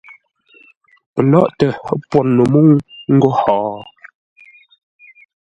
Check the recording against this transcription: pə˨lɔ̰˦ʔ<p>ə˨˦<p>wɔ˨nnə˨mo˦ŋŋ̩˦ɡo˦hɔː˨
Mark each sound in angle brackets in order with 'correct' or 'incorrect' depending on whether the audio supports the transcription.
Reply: incorrect: t, correct

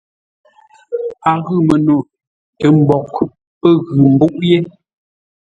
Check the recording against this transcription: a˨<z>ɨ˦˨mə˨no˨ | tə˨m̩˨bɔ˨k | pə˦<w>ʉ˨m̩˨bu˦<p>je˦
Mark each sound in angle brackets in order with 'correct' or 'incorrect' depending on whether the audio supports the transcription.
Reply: incorrect: ɣ, incorrect: ɣ, incorrect: ʔ

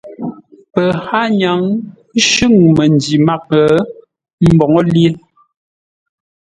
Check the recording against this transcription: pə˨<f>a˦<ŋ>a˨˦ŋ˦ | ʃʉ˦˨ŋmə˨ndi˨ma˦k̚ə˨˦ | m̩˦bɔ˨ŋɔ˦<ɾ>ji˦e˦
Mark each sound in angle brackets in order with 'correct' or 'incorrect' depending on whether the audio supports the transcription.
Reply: incorrect: h, incorrect: ɲ, incorrect: l

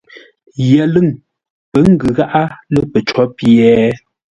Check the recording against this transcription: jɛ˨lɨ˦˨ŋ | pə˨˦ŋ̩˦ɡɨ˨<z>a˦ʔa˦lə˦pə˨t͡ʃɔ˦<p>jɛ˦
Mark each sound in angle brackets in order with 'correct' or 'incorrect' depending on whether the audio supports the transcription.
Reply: incorrect: ɣ, correct

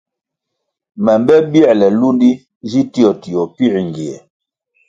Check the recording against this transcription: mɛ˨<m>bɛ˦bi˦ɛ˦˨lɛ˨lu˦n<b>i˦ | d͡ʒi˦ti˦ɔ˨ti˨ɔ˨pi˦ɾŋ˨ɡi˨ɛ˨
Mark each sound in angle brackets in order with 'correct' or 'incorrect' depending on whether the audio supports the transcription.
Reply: correct, incorrect: d

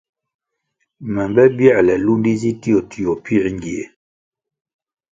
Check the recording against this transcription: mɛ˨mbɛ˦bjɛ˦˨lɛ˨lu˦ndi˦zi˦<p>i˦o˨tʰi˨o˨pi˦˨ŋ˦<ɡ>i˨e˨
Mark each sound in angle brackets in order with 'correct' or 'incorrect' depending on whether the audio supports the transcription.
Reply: incorrect: t, correct

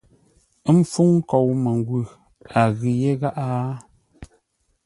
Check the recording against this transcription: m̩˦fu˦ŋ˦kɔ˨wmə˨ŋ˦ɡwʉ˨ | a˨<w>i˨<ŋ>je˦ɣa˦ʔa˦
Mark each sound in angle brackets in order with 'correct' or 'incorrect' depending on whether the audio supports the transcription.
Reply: incorrect: ɣ, incorrect: none

